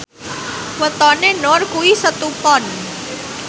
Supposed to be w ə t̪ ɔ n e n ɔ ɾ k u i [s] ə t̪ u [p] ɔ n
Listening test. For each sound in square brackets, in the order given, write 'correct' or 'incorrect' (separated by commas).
correct, correct